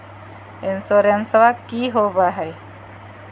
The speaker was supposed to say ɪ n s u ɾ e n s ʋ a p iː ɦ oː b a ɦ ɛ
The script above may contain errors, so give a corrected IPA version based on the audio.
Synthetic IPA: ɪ n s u ɾ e n s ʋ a k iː ɦ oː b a ɦ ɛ